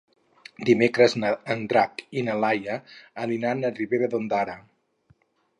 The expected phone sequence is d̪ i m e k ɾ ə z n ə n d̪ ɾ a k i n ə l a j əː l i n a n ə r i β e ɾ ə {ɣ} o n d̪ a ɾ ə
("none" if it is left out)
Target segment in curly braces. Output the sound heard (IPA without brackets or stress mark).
ð